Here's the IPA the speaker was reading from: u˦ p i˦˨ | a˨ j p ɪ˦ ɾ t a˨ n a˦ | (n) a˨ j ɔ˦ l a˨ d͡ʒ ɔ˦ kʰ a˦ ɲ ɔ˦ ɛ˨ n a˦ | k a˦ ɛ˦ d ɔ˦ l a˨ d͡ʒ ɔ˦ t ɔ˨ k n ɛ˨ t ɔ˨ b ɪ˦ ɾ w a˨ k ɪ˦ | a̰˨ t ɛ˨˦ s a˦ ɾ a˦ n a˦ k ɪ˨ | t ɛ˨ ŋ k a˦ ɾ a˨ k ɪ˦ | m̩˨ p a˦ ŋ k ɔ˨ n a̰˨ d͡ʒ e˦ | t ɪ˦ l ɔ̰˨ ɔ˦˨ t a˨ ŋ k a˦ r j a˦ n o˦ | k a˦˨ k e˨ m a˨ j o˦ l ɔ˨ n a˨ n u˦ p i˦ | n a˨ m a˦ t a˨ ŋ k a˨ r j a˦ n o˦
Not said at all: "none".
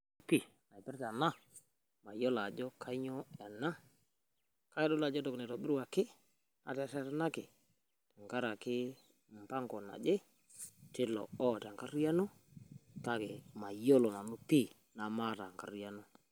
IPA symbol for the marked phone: m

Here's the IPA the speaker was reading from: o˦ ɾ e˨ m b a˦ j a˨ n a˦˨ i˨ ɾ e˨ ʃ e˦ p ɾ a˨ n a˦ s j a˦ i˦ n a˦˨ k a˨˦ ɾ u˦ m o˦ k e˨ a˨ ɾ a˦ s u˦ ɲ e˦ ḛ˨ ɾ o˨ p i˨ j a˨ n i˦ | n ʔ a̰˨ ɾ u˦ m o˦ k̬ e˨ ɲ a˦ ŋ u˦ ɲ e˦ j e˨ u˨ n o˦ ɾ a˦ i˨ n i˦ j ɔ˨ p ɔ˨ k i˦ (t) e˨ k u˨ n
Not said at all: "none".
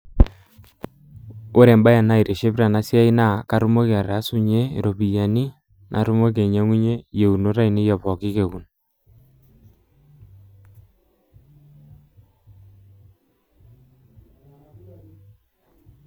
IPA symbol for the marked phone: k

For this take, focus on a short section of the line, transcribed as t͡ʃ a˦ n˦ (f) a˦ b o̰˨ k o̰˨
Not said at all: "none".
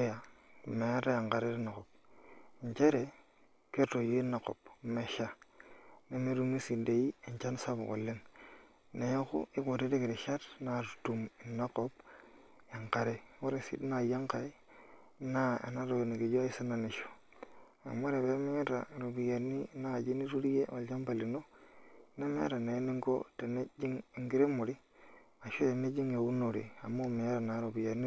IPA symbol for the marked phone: s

